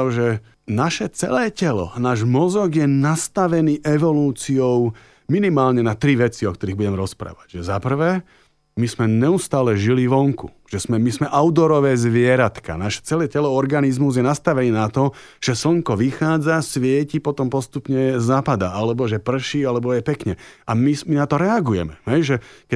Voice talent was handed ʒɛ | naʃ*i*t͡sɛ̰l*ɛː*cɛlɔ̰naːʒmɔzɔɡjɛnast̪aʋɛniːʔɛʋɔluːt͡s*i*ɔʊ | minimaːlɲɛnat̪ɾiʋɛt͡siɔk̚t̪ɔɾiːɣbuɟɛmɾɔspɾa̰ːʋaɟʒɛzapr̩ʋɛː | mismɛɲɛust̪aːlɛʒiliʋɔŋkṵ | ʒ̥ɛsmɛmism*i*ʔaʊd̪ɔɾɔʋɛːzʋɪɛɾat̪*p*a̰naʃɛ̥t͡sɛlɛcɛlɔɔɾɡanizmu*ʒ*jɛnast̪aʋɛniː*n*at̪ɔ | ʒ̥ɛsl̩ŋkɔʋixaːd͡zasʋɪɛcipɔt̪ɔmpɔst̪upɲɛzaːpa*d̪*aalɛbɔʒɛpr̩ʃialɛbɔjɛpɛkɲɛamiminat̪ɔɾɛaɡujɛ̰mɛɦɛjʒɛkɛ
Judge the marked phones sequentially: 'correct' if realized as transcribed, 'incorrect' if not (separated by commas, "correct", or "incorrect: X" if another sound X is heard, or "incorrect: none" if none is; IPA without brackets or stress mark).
incorrect: ɛ, correct, correct, incorrect: ɛ, incorrect: k, incorrect: z, correct, correct